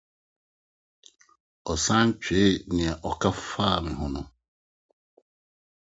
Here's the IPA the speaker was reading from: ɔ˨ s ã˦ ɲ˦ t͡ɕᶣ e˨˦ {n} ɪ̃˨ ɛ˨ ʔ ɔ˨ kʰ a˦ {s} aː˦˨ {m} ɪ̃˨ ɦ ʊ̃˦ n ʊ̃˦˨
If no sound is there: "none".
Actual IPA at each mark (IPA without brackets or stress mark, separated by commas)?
n, f, m